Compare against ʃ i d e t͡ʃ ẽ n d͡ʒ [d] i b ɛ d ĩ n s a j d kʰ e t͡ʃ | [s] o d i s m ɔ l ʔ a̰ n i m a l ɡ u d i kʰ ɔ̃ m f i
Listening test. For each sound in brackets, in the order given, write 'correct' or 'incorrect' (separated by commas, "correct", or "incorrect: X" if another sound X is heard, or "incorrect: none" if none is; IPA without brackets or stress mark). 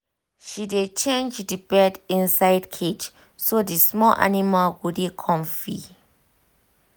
correct, correct